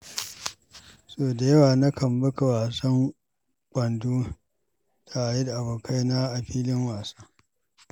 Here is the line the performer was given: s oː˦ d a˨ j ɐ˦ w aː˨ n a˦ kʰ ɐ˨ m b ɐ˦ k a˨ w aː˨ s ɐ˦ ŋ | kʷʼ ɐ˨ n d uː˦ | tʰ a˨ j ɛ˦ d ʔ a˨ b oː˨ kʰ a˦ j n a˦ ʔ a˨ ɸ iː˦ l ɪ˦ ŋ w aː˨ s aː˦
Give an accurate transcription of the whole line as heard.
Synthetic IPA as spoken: s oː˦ d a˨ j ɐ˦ w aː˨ n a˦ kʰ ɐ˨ m b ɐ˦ k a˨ w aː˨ s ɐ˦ ŋ | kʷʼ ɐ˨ n d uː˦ | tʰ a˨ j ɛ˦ d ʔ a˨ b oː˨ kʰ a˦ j n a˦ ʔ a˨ ɸ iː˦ l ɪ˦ ŋ w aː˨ s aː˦